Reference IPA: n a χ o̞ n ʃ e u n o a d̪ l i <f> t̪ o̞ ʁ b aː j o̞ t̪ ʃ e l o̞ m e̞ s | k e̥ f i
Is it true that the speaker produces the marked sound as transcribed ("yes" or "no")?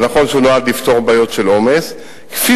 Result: yes